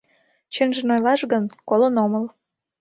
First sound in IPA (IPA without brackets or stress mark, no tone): t͡ɕ